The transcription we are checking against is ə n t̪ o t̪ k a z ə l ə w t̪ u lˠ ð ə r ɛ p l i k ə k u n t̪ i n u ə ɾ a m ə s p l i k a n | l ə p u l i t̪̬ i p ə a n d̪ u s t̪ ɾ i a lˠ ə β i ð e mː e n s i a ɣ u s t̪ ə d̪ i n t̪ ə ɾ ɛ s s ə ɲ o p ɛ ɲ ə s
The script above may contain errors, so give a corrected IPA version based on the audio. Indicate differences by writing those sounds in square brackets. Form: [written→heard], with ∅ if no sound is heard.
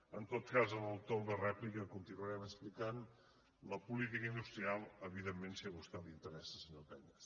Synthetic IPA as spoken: ə n t̪ o t̪ k a z ə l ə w t̪ [u→o] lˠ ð ə r ɛ p l i k ə k u n t̪ i n u ə ɾ [a→ɛ] m ə s p l i k a n | l ə p u l i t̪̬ i [p→k] ə [a→i] n d̪ u s t̪ ɾ i a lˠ ə β i ð e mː e n s i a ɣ u s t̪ [ə→a] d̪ i n t̪ ə ɾ ɛ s s ə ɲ o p ɛ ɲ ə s

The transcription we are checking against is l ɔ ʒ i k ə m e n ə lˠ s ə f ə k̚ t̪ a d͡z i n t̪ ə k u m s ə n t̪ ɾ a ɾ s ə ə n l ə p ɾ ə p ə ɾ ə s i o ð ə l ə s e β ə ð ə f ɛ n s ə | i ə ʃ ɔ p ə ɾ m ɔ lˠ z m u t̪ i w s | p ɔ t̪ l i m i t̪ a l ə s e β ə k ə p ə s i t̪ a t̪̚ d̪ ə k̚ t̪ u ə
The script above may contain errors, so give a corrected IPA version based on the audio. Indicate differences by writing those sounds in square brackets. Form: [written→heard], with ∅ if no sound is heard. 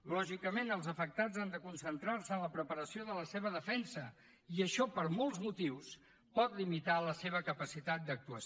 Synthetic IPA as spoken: l ɔ ʒ i k ə m e n ə lˠ [s→z] ə f ə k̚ t̪ a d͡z [i→a] n [t̪→d̪] ə k u [m→n] s ə n t̪ ɾ a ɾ s ə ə n l ə p ɾ ə p ə ɾ ə s i o ð ə l ə s e β ə ð ə f ɛ n s ə | i ə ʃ ɔ p ə ɾ m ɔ lˠ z m u t̪ i w s | p ɔ t̪ l i m i t̪ a l ə s e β ə k ə p ə s i t̪ a t̪̚ d̪ ə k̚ t̪ u ə

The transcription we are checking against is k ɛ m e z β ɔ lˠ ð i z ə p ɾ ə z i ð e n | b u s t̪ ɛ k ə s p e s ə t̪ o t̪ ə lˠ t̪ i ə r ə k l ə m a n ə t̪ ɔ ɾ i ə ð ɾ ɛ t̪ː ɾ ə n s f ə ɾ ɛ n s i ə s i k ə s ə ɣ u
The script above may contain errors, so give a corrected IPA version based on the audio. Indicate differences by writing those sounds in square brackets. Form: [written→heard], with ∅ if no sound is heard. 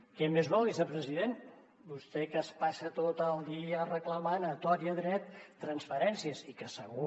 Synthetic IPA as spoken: k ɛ m e z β ɔ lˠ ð i z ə p ɾ ə z i ð e n | b u s t̪ ɛ k ə s p [e→a] s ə t̪ o t̪ ə lˠ [t̪→d̪] i ə r ə k l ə m a n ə t̪ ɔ ɾ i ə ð ɾ ɛ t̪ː ɾ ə n s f ə ɾ ɛ n s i ə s i k ə s ə ɣ u

